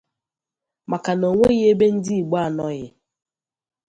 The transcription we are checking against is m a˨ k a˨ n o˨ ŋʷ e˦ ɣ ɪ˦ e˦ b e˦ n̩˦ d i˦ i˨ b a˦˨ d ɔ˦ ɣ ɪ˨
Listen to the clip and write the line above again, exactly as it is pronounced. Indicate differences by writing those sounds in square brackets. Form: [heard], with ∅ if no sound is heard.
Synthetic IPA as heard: m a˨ k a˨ n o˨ ŋʷ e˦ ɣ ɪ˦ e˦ b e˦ n̩˦ d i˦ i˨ [ɡ͡b] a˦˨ [n] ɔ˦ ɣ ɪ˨